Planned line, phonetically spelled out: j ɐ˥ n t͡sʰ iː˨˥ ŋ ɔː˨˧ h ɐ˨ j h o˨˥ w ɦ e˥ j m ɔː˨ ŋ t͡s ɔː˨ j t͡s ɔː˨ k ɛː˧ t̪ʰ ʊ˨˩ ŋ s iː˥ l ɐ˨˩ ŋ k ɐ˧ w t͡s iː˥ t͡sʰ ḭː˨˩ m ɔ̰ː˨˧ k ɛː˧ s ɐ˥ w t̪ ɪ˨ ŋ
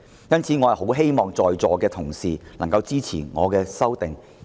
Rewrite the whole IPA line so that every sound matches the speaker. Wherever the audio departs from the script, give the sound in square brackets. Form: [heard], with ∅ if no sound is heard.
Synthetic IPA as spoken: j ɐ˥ n t͡sʰ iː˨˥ ŋ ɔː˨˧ h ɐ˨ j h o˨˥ w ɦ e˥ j m ɔː˨ ŋ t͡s ɔː˨ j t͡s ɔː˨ k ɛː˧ t̪ʰ ʊ˨˩ ŋ s [iː˨] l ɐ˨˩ ŋ k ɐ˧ w t͡s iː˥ t͡sʰ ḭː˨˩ [ŋ] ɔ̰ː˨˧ k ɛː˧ s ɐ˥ w t̪ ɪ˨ ŋ

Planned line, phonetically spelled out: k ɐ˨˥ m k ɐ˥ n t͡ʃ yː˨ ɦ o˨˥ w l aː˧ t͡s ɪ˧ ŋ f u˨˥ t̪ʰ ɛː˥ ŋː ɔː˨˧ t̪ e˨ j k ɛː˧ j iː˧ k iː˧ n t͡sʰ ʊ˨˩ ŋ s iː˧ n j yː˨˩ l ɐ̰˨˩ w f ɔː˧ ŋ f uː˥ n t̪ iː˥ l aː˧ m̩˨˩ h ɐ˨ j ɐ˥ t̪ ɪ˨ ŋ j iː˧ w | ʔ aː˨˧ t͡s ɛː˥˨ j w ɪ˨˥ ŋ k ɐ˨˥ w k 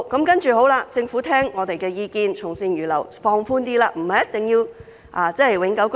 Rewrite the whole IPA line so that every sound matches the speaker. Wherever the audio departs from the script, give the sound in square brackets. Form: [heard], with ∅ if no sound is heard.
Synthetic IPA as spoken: k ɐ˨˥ m k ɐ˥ n t͡ʃ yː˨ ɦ o˨˥ w l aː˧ t͡s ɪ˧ ŋ f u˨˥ t̪ʰ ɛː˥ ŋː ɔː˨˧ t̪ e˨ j k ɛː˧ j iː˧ k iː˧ n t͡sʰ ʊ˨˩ ŋ s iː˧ n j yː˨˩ l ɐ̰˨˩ w f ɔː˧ ŋ f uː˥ n t̪ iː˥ l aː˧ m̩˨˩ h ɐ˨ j ɐ˥ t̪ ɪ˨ ŋ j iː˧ w | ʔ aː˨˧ t͡s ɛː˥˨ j w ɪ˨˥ ŋ k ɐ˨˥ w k

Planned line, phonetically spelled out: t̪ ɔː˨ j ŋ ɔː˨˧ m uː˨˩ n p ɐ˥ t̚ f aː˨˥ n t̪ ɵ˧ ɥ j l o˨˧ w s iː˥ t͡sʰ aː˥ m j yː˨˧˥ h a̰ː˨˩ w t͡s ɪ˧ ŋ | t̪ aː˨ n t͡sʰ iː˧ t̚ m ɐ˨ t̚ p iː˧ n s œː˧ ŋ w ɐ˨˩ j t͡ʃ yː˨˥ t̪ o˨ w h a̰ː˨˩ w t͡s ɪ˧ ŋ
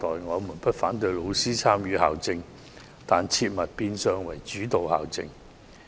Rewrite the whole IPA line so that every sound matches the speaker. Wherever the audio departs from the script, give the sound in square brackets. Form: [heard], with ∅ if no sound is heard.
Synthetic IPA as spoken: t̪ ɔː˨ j ŋ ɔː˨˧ m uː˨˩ n p ɐ˥ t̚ f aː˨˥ n t̪ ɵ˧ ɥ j l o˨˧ w s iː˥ t͡sʰ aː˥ m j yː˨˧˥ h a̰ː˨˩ w t͡s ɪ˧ ŋ | t̪ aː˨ n t͡sʰ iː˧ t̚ m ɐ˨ t̚ p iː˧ n s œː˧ ŋ w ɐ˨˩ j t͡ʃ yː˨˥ t̪ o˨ w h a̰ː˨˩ w t͡s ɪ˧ ŋ

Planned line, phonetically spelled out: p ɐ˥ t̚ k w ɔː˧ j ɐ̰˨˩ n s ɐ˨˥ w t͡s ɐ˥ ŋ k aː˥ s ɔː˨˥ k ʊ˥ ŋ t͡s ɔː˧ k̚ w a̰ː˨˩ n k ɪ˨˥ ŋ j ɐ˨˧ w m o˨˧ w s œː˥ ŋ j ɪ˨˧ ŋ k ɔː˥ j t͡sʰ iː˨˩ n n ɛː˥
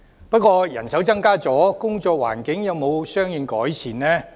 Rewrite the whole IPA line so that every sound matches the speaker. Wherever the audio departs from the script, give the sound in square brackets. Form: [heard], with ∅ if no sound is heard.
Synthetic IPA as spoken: p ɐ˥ t̚ k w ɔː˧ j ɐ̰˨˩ n s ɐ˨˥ w t͡s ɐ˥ ŋ k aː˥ [t͡s] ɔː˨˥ k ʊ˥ ŋ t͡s ɔː˧ k̚ w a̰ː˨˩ n k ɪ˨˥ ŋ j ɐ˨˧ w m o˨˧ w s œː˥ ŋ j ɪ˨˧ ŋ k [ɔː˨˥] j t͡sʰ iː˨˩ n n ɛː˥

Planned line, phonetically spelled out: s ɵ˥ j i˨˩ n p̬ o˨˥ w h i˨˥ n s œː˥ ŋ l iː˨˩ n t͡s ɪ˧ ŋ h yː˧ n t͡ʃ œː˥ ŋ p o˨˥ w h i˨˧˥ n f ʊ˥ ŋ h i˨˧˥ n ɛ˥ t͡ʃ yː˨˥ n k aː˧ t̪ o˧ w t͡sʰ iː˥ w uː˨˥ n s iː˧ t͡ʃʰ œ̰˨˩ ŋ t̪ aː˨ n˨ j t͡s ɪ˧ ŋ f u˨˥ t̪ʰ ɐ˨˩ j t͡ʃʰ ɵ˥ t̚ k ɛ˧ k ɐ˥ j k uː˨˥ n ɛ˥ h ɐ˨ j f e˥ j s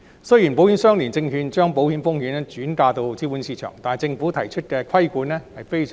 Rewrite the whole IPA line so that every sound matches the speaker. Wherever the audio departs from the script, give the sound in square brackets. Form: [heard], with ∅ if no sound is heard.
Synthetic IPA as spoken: s ɵ˥ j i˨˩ n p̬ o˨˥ w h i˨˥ n s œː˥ ŋ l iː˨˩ n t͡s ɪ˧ ŋ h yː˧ n t͡ʃ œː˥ ŋ p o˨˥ w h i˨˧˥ n f ʊ˥ ŋ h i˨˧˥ n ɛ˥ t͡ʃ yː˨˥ n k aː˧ t̪ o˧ w [t͡s] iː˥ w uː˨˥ n s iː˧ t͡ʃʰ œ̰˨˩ ŋ t̪ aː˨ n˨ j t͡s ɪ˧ ŋ f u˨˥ t̪ʰ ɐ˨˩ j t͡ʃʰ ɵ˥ t̚ k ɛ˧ [kʰ] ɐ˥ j k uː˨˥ n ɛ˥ h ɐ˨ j f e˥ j s

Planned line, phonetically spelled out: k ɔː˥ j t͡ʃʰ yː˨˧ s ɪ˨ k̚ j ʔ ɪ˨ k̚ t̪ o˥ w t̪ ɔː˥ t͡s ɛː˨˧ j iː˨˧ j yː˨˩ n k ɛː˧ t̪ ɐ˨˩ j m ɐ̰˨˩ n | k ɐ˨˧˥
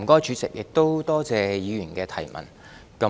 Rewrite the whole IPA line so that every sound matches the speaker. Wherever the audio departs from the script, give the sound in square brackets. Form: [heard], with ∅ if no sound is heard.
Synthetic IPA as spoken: k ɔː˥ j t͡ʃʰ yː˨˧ [t͡s] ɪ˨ k̚ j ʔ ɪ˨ k̚ t̪ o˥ w t̪ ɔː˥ t͡s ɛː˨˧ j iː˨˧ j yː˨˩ n k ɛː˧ [t̪ʰ] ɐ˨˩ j m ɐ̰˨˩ n | k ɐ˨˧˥

